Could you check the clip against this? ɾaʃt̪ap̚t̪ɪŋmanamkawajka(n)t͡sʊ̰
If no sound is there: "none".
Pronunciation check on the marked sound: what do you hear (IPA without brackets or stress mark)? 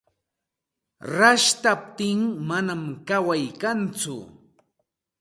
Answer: n